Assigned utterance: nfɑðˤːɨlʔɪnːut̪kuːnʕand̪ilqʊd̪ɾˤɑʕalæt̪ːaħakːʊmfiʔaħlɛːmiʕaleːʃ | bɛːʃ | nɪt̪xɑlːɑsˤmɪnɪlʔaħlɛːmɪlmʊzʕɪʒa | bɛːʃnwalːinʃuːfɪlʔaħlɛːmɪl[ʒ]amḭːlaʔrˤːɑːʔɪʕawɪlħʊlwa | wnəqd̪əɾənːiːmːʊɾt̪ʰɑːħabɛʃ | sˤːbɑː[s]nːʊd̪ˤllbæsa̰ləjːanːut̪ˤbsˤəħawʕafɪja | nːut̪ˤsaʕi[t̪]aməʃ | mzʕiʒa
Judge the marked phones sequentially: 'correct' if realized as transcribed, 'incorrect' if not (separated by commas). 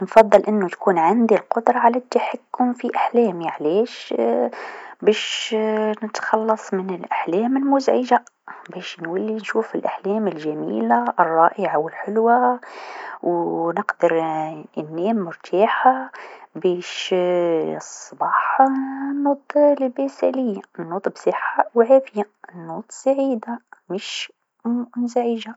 correct, incorrect, incorrect